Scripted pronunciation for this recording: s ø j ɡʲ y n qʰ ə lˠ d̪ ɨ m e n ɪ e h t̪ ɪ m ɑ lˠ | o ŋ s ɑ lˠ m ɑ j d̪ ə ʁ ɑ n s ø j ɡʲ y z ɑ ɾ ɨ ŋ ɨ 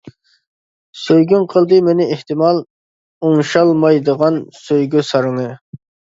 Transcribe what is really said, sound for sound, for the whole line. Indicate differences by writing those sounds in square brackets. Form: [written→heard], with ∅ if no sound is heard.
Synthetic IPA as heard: s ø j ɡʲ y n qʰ ə lˠ d̪ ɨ m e n ɪ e h t̪ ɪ m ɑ lˠ | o ŋ [s→ʃ] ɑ lˠ m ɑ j d̪ ə ʁ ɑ n s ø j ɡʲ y [z→s] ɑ ɾ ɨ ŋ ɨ

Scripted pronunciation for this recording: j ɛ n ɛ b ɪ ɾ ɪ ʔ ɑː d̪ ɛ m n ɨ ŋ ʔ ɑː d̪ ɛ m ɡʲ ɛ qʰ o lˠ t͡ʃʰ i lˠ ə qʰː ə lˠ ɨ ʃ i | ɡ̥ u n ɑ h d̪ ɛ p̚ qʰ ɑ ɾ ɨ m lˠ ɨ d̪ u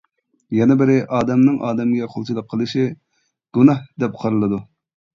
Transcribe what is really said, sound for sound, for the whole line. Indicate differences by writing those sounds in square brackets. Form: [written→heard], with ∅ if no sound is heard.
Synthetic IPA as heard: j ɛ n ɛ b ɪ ɾ ɪ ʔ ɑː d̪ ɛ m n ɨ ŋ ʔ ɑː d̪ ɛ m ɡʲ ɛ qʰ o lˠ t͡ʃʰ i lˠ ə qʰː ə lˠ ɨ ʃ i | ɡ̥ u n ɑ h d̪ ɛ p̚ qʰ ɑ ɾ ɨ [m→∅] lˠ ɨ d̪ u

